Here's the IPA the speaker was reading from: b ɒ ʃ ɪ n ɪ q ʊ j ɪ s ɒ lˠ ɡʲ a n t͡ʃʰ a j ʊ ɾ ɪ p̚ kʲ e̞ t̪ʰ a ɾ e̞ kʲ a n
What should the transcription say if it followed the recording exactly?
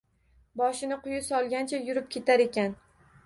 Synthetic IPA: b ɒ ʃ ɪ n ɪ q ʊ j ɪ s ɒ lˠ ɡʲ a n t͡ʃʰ a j ʊ ɾ ɪ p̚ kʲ e̞ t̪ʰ a ɾ e̞ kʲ a n